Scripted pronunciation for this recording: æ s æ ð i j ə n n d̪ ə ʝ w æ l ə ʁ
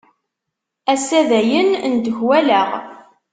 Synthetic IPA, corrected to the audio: æ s æ ð æ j ə n n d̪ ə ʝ w æ l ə ʁ